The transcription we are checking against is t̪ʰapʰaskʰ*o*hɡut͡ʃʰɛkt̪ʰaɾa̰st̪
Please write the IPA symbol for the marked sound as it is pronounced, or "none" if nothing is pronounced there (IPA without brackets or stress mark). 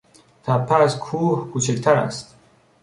u